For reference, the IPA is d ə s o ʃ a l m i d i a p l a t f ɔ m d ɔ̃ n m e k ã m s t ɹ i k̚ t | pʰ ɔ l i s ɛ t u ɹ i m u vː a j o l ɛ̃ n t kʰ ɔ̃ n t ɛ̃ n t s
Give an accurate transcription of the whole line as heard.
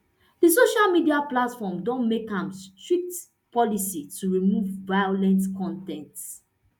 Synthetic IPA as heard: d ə s o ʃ a l m i d i a p l a t f ɔ m d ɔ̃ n m e k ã m s t ɹ i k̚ t | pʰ ɔ l i s i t u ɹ i m u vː a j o l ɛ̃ n t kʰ ɔ̃ n t ɛ̃ n t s